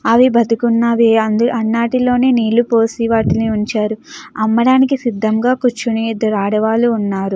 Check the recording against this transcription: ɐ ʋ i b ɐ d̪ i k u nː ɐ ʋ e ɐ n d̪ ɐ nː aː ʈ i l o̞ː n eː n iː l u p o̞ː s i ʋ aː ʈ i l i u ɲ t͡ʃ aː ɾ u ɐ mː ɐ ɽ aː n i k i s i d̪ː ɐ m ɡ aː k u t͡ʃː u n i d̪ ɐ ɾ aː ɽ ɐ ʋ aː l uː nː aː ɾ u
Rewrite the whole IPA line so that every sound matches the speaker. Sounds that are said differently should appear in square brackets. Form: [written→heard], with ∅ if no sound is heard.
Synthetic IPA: ɐ ʋ i b ɐ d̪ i k u nː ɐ ʋ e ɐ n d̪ ɐ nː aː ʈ i l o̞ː n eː n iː l u p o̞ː s i ʋ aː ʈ i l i u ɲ t͡ʃ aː ɾ u ɐ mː ɐ ɽ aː n i k i s i d̪ː ɐ m ɡ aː k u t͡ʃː u n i d̪ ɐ ɾ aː ɽ ɐ ʋ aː l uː nː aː ɾ u